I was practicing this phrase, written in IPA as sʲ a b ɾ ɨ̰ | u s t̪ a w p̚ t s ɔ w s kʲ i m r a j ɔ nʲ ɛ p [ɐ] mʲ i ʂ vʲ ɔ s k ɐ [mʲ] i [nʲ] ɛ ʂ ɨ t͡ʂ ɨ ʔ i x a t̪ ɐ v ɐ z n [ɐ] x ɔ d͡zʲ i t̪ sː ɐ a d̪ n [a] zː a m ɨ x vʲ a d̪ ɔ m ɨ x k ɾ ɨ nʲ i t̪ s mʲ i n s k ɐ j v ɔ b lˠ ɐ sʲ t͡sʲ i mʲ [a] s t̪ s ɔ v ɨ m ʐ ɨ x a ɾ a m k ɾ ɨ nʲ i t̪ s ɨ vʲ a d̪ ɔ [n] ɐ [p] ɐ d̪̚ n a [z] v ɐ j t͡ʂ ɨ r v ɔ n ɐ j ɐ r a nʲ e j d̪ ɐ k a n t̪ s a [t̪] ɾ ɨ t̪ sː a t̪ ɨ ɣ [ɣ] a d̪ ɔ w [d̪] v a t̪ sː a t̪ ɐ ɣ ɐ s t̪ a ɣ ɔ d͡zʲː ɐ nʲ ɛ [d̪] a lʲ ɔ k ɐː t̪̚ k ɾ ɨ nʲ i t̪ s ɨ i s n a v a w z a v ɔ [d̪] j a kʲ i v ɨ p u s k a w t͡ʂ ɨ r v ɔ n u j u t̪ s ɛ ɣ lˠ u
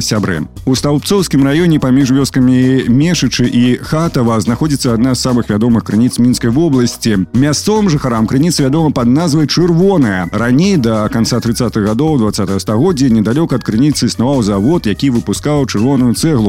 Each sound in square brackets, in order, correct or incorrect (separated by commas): incorrect, correct, incorrect, incorrect, correct, correct, incorrect, correct, correct, correct, correct, correct, correct, incorrect